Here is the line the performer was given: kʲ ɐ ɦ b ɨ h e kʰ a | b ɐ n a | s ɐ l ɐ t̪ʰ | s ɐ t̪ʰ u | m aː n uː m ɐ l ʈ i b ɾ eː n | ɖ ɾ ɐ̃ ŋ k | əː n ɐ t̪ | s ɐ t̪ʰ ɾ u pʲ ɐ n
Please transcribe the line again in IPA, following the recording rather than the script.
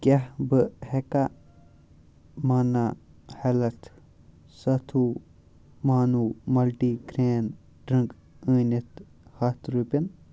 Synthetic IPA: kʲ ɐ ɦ b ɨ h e k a | m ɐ n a | h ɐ l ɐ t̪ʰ | s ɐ t̪ʰ u | m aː n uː m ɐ l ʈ i ɡ ɾ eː n | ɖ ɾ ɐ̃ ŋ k | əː n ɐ t̪ | h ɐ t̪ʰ ɾ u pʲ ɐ n